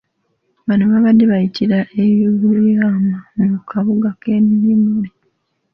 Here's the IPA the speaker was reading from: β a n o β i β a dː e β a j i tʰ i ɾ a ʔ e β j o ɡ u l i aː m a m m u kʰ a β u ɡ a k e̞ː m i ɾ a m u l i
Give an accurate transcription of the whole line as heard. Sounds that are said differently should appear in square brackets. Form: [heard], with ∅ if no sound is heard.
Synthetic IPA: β a n o β [a] β a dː e β a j i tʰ i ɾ a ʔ e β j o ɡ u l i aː m a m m u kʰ a β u ɡ a k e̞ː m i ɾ [i] m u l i